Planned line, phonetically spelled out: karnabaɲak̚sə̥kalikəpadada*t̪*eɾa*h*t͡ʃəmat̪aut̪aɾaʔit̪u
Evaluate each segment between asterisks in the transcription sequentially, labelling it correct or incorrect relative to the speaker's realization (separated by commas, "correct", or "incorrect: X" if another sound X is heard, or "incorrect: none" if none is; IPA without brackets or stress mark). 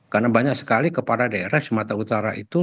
incorrect: none, correct